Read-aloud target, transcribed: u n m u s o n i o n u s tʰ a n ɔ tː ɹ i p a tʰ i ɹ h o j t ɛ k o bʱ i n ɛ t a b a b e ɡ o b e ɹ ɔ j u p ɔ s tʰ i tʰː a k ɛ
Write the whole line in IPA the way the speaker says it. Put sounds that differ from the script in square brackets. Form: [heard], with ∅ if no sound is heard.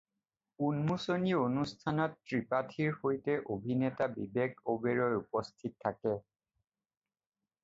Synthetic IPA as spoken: u n m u s o n i o n u s tʰ a n ɔ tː ɹ i p a tʰ i ɹ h o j t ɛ [ʔ] o bʱ i n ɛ t a b [i] b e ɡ o b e ɹ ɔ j u p ɔ s tʰ i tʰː a k ɛ

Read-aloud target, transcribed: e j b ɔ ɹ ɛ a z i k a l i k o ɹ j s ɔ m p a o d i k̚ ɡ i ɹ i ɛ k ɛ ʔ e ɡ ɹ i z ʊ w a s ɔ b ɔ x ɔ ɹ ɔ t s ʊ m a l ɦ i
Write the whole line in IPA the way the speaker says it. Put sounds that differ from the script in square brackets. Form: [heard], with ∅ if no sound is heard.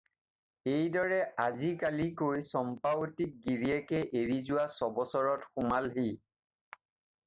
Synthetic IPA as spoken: e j [d] ɔ ɹ ɛ a z i k a l i k o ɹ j s ɔ m p a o [t] i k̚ ɡ i ɹ i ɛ k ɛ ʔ e [∅] ɹ i z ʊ w a s ɔ b ɔ [s] ɔ ɹ ɔ t [x] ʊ m a l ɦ i

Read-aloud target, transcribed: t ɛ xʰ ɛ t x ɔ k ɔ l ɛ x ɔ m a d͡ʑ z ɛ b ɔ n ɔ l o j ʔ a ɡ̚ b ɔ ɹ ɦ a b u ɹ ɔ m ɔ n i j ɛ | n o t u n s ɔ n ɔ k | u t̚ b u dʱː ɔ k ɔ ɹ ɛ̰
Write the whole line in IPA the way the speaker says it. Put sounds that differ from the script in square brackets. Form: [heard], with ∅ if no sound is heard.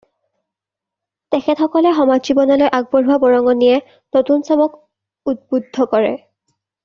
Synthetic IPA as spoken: t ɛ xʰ ɛ t x ɔ k ɔ l ɛ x ɔ m a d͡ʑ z [i] b ɔ n ɔ l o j ʔ a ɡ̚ b ɔ ɹ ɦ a b [ɔ] ɹ ɔ [ŋ] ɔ n i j ɛ | n o t u n s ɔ [m] ɔ k | u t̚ b u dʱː ɔ k ɔ ɹ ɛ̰

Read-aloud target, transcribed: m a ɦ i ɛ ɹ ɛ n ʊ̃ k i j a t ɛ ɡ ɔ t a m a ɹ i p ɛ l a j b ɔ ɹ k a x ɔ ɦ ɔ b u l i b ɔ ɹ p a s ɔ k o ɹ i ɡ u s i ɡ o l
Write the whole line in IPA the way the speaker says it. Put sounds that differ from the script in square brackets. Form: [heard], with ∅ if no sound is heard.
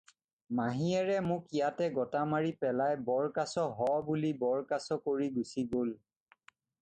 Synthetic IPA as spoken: m a ɦ i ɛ ɹ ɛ [m] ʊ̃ k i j a t ɛ ɡ ɔ t a m a ɹ i p ɛ l a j b ɔ ɹ k a [s] ɔ ɦ ɔ b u l i b ɔ ɹ [k] a s ɔ k o ɹ i ɡ u s i ɡ o l

